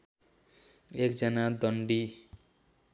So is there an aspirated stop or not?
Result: no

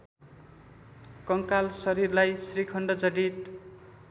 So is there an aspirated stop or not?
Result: yes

